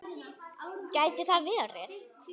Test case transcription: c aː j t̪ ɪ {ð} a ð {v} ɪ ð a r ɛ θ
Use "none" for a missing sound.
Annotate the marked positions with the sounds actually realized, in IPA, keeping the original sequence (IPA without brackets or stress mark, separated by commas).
θ, v